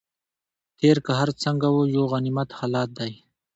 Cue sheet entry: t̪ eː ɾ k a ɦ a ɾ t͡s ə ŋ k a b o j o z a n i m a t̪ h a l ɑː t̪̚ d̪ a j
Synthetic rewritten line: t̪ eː ɾ k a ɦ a ɾ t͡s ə ŋ ɡ a w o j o ɣ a n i m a t̪ h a l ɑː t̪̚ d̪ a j